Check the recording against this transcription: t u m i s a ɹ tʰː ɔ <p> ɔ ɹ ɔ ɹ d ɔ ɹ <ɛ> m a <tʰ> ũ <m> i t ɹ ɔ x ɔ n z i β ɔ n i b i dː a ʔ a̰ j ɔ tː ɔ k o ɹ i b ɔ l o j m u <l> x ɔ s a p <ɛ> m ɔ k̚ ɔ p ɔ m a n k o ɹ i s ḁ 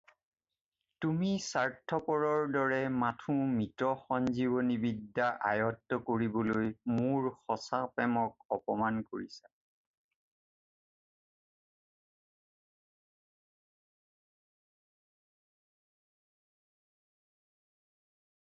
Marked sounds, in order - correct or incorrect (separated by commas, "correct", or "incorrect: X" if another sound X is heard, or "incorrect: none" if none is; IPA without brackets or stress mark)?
correct, correct, correct, correct, incorrect: ɹ, correct